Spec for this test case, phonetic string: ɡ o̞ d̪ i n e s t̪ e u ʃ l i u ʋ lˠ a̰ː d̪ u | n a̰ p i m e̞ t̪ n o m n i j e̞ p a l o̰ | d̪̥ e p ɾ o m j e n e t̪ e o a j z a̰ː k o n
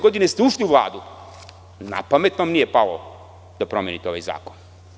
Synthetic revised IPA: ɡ o̞ d̪ i n e s t̪ e u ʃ l i u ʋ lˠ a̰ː d̪ u | n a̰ p a m e̞ t̪ n o m n i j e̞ p a l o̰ | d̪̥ a p ɾ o m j e n i t̪ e o a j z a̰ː k o n